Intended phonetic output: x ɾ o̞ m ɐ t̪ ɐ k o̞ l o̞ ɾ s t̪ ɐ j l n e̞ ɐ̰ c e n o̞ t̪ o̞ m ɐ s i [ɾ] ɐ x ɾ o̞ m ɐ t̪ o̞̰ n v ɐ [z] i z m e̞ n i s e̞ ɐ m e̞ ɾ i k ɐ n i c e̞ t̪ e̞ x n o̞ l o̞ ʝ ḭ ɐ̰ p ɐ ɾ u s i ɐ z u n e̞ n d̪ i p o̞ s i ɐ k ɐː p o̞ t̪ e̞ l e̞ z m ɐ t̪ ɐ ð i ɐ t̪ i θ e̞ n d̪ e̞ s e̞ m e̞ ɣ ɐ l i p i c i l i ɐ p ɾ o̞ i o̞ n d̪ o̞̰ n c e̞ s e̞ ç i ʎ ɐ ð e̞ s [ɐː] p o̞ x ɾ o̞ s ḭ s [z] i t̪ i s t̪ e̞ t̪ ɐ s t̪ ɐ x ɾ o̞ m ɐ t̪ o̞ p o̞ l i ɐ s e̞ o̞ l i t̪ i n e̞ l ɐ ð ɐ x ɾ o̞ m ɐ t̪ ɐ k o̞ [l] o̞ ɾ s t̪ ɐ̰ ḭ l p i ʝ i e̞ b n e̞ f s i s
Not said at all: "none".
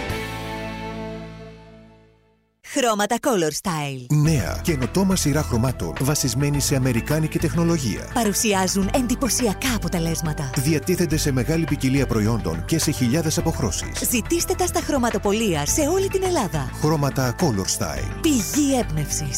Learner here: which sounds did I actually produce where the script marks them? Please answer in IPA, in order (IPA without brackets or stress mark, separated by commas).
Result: ɾ, s, ɐ, z, l